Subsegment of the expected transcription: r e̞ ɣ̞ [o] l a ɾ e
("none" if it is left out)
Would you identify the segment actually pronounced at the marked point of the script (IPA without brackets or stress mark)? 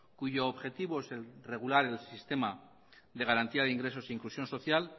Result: u